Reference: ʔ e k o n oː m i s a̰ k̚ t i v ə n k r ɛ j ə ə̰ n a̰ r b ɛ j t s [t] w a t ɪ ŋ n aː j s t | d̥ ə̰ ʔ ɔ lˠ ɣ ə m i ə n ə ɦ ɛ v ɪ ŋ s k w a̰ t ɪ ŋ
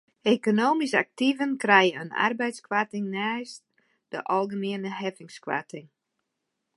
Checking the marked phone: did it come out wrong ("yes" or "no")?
yes